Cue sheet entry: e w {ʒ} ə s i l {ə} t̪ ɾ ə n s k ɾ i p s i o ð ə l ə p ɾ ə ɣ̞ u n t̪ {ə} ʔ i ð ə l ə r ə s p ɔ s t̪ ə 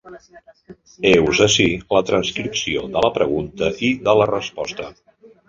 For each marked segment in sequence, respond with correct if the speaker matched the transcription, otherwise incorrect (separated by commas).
incorrect, correct, correct